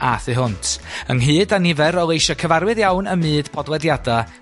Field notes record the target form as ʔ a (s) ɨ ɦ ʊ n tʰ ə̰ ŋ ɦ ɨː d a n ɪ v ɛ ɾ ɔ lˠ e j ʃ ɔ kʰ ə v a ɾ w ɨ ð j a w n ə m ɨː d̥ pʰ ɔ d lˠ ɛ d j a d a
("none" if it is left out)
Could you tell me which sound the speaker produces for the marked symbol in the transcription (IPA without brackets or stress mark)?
θ